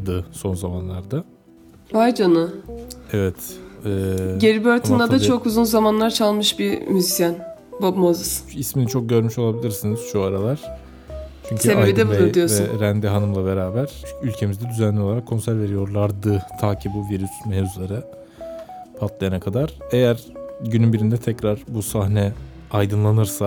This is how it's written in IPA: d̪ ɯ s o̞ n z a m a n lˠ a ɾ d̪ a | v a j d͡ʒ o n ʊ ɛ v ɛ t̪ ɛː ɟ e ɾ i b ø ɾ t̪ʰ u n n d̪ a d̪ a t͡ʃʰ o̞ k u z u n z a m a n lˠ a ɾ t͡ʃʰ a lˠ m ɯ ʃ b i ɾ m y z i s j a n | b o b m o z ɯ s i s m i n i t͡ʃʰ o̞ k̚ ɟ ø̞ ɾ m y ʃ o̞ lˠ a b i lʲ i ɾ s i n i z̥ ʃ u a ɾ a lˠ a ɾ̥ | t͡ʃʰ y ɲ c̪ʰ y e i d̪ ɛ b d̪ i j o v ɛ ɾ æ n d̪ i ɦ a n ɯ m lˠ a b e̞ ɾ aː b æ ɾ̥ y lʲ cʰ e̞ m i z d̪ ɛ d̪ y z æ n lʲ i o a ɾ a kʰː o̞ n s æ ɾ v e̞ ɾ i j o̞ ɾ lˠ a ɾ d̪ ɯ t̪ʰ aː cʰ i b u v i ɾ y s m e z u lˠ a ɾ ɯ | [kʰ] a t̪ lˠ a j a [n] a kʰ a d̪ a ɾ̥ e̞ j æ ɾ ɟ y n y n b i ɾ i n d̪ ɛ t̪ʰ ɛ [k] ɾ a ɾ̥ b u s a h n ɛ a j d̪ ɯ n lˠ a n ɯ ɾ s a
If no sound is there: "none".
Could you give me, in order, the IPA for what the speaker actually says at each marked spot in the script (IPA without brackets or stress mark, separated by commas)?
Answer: pʰ, n, c